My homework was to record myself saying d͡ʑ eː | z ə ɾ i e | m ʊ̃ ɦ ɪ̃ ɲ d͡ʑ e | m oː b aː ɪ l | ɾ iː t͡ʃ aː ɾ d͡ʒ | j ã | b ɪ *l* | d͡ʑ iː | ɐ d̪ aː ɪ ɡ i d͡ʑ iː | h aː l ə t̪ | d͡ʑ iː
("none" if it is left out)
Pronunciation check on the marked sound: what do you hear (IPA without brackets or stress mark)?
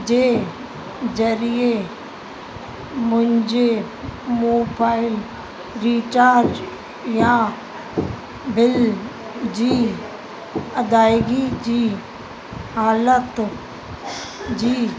l